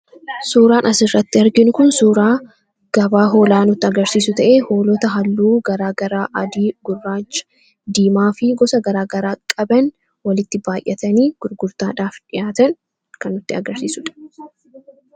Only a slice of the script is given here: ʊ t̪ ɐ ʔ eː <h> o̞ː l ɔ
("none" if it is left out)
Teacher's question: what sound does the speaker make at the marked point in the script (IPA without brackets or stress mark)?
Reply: h